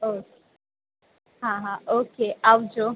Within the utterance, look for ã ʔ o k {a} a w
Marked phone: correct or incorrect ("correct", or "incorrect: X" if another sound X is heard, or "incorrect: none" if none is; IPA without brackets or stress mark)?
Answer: incorrect: e